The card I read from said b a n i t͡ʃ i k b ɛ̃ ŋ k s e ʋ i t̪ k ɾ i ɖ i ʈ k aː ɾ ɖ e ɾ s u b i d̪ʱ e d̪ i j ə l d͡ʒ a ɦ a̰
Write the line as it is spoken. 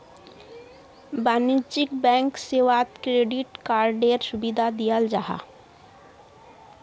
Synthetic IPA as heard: b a n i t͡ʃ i k b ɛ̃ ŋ k s e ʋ a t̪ k ɾ e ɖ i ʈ k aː ɾ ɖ e ɾ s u b i d̪ʱ a d̪ i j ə l d͡ʒ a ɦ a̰